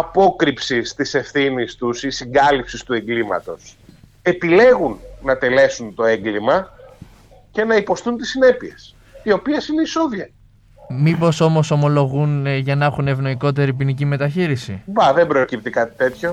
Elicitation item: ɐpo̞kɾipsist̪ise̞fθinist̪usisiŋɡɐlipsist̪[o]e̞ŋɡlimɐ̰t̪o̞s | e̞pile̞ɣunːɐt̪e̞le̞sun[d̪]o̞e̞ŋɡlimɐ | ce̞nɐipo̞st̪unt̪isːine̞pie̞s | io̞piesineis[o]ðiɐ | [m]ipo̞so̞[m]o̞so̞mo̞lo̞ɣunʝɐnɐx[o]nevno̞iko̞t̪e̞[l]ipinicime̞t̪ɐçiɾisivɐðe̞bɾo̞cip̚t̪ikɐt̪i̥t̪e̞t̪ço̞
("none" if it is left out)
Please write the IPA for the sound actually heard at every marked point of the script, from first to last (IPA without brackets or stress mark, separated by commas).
u, t̪, o, m, m, u, ɾ